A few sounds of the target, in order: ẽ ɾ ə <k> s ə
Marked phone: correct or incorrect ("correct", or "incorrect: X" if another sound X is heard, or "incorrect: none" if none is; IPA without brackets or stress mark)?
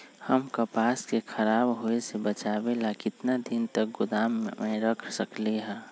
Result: incorrect: kʰ